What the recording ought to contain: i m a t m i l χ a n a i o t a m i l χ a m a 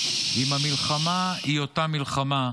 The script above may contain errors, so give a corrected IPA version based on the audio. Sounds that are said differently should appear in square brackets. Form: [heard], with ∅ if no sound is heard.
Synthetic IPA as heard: i m a [∅] m i l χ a [m] a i o t a m i l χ a m a